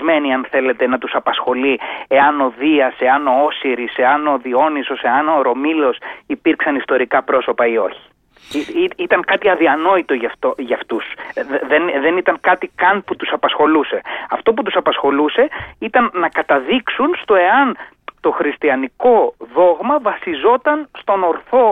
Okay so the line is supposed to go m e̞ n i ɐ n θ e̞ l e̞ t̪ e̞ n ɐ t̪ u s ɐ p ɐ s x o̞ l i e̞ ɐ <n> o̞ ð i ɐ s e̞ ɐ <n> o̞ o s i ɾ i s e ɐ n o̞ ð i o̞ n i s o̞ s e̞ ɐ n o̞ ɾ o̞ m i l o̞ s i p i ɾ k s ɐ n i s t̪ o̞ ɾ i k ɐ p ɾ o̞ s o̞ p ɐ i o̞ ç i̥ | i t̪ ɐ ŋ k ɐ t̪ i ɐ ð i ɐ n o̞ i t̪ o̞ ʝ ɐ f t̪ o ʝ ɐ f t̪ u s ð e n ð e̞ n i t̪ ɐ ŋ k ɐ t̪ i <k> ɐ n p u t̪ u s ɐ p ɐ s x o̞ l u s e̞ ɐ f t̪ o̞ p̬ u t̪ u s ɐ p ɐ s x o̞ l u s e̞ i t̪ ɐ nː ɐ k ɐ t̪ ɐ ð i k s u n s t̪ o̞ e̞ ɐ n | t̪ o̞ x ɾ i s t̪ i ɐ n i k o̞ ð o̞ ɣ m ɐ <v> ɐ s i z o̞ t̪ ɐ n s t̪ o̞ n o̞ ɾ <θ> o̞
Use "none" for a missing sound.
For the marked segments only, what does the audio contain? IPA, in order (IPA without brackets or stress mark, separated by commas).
n, n, k, v, θ